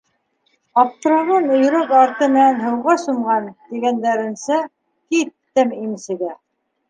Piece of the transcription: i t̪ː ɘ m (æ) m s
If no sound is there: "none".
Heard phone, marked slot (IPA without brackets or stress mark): i